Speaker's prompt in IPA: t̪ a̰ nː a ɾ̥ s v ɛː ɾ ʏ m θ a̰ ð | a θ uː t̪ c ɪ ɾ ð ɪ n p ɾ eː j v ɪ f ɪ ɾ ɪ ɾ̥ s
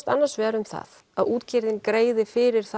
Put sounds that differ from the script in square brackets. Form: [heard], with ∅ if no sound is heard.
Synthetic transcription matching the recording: t̪ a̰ nː a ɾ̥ s v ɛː ɾ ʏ m θ a̰ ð | a [ð] uː t̪ c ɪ ɾ ð ɪ n [k] ɾ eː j [ð] ɪ f ɪ ɾ ɪ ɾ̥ [θ]